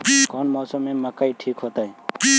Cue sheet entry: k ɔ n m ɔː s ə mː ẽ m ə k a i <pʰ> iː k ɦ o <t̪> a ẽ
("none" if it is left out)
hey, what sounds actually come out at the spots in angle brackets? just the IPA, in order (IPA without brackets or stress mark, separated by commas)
ʈʰ, t̪